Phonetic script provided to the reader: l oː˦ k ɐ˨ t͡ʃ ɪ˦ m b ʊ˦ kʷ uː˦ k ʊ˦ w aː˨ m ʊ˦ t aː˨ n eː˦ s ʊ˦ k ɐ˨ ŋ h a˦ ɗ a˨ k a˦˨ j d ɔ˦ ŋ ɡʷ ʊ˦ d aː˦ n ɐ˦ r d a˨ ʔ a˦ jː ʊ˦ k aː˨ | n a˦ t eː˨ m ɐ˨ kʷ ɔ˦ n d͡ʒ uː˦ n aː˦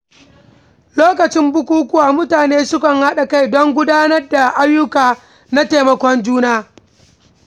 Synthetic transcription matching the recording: l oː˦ k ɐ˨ t͡ʃ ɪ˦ m b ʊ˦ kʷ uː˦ k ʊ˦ w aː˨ m ʊ˦ t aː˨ n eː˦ s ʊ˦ k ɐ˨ ŋ h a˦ ɗ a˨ k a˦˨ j d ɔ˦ ŋ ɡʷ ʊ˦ d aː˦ n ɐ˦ r d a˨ ʔ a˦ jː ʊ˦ k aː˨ | n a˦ t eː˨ m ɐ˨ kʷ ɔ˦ n d͡ʒ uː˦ n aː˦